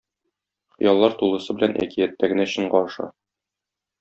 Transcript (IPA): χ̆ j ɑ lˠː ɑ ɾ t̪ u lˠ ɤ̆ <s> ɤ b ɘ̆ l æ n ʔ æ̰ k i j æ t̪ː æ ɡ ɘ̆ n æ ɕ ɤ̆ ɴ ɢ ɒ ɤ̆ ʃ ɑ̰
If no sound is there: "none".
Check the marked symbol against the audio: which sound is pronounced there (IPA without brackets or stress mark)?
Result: s